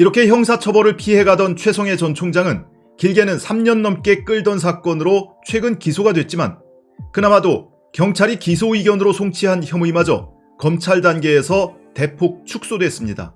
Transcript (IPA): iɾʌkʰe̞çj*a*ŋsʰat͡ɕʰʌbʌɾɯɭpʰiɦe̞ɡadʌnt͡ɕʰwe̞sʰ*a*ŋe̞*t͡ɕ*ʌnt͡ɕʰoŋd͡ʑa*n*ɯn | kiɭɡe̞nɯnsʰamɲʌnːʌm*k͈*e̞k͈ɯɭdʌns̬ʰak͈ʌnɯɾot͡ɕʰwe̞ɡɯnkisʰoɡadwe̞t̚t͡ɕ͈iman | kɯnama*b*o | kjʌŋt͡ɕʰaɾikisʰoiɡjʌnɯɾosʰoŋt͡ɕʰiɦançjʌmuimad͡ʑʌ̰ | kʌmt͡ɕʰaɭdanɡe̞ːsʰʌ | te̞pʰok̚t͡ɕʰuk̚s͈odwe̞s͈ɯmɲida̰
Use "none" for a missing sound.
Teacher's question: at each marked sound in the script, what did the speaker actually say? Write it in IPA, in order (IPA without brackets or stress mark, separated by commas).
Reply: ʌ, ʌ, t͡ɕ, ŋ, k͈, d